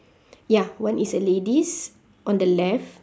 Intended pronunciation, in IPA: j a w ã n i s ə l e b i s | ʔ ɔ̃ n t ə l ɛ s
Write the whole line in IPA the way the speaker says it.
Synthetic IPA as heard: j a w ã n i s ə l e d i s | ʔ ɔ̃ n d ə l ɛ f